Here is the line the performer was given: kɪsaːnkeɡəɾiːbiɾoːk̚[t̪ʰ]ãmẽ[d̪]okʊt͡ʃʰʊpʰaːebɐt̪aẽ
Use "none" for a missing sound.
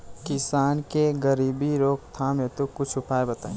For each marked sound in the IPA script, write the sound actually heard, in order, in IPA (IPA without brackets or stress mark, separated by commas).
t̪ʰ, t̪